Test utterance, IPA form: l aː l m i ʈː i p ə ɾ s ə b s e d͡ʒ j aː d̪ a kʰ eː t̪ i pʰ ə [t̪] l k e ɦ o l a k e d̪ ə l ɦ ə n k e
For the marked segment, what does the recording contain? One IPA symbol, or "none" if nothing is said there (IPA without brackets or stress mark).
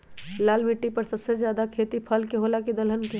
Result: none